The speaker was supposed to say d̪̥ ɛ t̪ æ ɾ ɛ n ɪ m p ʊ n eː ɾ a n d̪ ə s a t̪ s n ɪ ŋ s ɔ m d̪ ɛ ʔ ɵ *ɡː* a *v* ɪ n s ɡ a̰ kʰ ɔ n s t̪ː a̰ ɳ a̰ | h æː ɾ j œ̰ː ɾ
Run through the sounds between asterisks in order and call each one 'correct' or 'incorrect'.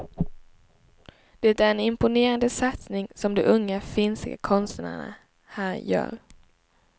incorrect: ŋː, incorrect: f

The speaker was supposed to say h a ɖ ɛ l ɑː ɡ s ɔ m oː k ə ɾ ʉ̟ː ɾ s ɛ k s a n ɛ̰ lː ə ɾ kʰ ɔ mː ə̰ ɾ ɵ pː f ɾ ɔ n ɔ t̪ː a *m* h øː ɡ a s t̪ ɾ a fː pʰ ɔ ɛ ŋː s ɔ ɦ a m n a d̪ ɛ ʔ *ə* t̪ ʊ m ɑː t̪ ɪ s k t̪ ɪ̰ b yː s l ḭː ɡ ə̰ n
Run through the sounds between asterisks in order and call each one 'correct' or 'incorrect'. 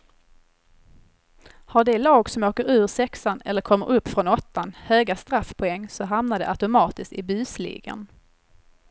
incorrect: n, incorrect: a

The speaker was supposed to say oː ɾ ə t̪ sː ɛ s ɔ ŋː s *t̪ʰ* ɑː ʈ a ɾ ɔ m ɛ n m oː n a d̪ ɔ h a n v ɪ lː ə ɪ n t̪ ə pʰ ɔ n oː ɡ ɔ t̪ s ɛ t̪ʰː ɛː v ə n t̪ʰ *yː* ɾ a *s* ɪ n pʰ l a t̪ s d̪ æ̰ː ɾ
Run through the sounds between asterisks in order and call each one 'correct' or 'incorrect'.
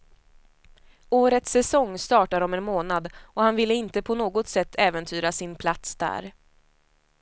incorrect: t̪, correct, correct

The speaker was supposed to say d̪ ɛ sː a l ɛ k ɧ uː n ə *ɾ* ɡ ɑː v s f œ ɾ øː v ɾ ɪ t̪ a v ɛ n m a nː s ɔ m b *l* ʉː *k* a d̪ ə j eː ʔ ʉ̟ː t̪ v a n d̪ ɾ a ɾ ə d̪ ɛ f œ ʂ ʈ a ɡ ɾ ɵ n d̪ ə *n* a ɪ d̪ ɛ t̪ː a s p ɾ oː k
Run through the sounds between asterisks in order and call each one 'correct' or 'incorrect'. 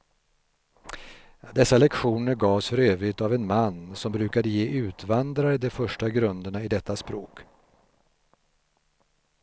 correct, incorrect: ɾ, correct, incorrect: ɳ

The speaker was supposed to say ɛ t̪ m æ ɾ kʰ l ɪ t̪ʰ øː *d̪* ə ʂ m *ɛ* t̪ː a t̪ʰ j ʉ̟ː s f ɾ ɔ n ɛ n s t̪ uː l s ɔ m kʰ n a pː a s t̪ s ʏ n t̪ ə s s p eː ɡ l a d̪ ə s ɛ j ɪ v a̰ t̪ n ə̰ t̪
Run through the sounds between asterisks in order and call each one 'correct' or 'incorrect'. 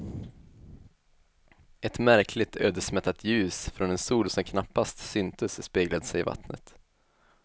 correct, correct

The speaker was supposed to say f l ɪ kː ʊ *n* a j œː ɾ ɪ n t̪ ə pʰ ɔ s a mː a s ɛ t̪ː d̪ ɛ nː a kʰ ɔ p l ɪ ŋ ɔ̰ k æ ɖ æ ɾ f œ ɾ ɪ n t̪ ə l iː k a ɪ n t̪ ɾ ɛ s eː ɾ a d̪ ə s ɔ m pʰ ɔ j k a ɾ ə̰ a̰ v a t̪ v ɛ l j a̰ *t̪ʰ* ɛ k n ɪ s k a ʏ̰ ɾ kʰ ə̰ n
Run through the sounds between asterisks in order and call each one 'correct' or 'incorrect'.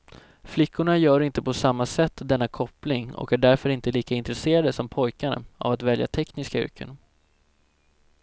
incorrect: ɳ, correct

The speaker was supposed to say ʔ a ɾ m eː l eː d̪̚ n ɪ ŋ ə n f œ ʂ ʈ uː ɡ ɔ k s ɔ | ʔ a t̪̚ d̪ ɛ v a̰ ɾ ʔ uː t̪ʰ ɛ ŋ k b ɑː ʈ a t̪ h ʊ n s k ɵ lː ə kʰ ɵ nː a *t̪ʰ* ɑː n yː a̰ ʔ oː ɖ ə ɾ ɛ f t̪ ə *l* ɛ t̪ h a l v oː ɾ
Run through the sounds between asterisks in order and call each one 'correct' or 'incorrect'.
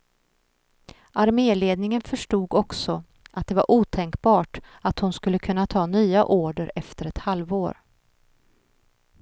correct, incorrect: ɾ

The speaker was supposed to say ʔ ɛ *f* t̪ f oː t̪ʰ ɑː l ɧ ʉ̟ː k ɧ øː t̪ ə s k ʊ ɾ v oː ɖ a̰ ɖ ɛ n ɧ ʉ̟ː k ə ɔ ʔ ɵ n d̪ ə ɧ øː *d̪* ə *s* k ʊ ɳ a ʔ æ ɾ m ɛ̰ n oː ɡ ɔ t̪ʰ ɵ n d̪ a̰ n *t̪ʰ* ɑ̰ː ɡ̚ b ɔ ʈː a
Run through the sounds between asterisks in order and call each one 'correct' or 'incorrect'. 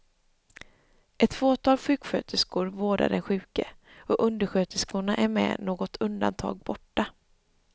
incorrect: none, incorrect: t̪, correct, correct

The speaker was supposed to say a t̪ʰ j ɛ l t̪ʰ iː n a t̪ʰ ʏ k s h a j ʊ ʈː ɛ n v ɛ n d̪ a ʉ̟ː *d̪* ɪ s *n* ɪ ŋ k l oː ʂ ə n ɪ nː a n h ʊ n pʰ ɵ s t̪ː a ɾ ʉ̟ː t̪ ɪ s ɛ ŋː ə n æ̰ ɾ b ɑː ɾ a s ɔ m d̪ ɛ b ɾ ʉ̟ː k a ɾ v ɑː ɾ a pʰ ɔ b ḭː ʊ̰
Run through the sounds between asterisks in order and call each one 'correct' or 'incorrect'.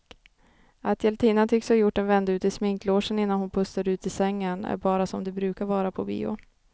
incorrect: t̪, incorrect: m

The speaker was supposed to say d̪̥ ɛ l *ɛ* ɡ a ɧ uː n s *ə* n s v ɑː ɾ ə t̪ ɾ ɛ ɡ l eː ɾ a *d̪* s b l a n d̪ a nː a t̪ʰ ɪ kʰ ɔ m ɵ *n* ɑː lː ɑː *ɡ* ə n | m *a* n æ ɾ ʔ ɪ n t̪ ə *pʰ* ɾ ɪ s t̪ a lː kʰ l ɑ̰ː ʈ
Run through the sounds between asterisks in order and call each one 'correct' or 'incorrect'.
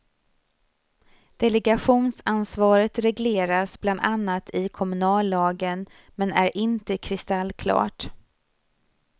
correct, incorrect: a, incorrect: none, correct, correct, incorrect: ɛ, incorrect: kʰ

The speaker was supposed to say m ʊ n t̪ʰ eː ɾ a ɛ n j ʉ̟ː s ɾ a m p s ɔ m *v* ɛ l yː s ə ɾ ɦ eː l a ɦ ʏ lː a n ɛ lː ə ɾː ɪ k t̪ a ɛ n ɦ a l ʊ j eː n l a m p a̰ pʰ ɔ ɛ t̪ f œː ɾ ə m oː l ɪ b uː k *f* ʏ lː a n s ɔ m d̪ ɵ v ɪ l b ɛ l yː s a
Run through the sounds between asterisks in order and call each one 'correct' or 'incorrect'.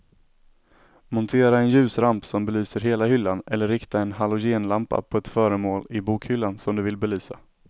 incorrect: b, incorrect: h

